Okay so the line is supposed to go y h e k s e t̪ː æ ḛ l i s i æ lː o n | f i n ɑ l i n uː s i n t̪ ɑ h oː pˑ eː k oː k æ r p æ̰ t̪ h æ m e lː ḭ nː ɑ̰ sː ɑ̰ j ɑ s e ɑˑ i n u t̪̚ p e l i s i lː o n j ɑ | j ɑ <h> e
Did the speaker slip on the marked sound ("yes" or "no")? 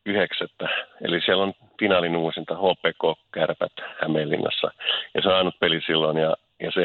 yes